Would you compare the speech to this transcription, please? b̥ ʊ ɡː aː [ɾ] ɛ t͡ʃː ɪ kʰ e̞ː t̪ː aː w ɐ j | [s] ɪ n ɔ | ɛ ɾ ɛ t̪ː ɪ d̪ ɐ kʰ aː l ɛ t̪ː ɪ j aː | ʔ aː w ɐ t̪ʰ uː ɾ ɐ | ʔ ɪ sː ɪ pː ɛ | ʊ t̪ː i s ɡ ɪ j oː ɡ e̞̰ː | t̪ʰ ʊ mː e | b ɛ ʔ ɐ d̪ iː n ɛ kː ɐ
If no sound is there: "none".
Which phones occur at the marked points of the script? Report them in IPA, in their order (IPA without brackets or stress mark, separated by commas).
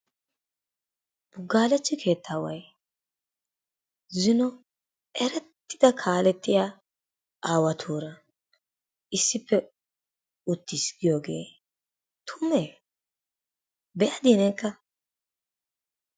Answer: l, z